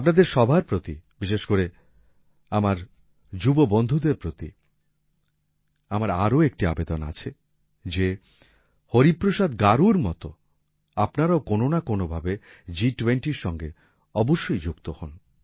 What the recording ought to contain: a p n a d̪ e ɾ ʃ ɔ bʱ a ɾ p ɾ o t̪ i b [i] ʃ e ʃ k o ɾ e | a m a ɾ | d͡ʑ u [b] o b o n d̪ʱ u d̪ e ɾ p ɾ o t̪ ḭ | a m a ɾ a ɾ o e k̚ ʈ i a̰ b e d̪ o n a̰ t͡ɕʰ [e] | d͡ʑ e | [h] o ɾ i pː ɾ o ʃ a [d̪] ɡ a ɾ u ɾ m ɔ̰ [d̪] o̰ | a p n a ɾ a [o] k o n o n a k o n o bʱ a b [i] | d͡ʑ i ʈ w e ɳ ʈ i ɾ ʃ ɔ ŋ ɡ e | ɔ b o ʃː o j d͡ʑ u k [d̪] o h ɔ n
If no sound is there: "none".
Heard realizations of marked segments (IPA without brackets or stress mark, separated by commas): i, b, e, h, d̪, t̪, o, e, t̪